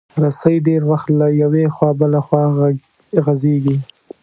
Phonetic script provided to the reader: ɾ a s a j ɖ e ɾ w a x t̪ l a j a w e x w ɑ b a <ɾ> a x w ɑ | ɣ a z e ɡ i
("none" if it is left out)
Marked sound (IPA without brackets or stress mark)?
l